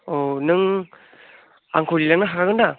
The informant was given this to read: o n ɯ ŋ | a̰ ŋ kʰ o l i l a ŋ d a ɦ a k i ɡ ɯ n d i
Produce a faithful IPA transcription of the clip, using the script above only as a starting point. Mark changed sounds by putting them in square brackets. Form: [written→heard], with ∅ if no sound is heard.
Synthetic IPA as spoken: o n ɯ ŋ | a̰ ŋ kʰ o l i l a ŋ [d→n] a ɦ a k [i→a] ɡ ɯ n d [i→a]